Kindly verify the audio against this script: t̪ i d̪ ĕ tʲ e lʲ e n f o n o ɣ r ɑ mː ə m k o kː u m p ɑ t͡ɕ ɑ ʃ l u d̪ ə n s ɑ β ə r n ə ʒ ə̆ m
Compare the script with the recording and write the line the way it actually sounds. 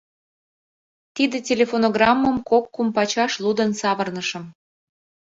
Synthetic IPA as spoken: t̪ i d̪ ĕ tʲ e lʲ e f o n o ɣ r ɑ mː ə m k o kː u m p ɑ t͡ɕ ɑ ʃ l u d̪ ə n s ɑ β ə r n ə ʃ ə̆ m

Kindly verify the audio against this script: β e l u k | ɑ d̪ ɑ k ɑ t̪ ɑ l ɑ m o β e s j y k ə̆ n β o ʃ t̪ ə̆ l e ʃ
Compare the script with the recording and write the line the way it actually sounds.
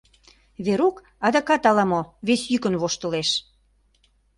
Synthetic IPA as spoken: β e ɾ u k | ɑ d̪ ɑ k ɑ t̪ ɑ l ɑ m o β e s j y k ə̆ n β o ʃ t̪ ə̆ l e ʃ

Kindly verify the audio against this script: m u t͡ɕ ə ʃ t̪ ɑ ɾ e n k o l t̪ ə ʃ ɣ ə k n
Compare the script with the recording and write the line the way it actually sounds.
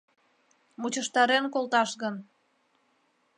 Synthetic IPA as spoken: m u t͡ɕ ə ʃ t̪ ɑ ɾ e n k o l t̪ ɑ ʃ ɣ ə n

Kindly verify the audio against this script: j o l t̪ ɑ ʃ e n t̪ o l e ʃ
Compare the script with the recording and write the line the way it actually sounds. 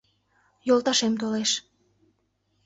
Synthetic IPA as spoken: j o l t̪ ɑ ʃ e m t̪ o l e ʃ

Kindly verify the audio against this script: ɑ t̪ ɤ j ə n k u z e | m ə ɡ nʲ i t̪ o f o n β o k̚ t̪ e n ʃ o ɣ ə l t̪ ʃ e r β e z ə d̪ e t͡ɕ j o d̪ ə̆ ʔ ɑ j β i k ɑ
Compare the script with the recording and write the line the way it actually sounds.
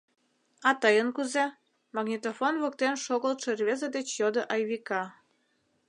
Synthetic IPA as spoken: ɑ t̪ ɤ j ə n k u z e | m ɑ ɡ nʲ i t̪ o f o n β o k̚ t̪ e n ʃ o ɣ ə l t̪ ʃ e r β e z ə d̪ e t͡ɕ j o d̪ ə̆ ʔ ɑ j β i k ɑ

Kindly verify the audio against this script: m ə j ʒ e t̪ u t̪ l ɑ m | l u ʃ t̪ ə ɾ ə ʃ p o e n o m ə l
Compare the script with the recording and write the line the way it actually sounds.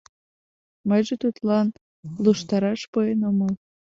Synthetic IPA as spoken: m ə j ʒ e t̪ u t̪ l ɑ n | l u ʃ t̪ ɑ ɾ ɑ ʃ p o e n o m ə l

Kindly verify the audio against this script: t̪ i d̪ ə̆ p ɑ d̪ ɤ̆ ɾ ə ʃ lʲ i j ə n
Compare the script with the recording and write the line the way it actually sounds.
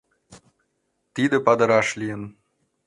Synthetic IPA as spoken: t̪ i d̪ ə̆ p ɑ d̪ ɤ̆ ɾ ɑ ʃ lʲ i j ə n

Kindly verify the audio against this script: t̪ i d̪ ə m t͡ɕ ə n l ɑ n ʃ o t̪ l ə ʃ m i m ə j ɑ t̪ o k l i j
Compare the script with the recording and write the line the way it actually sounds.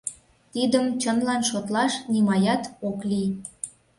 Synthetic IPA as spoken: t̪ i d̪ ə m t͡ɕ ə n l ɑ n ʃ o t̪ l ɑ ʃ n i m ɑ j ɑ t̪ o k l i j

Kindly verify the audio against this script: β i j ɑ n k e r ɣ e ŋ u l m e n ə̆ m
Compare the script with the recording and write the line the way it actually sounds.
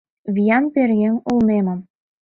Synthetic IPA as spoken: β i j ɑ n p e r ɣ e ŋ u l n e m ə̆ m

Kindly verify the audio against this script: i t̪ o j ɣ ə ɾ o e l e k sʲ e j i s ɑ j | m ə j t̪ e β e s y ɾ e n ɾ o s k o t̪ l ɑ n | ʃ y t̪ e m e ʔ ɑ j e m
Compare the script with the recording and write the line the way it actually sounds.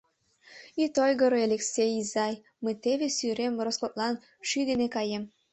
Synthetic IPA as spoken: i t̪ o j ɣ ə ɾ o e l e k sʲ e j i z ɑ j | m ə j t̪ e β e s y ɾ e m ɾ o s k o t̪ l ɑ n | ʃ y d̪ e n e k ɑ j e m

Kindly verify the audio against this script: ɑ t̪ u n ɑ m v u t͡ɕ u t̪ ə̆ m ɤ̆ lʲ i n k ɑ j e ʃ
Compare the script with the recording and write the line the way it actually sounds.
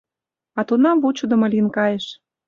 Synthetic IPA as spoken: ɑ t̪ u n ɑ m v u t͡ɕ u d̪ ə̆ m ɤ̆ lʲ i n k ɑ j e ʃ

